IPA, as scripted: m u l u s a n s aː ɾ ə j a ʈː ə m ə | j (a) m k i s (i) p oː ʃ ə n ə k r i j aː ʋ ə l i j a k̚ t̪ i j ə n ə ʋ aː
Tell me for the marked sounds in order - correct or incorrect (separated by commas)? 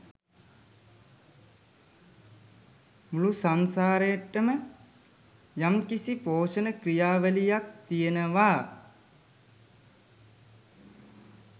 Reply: correct, correct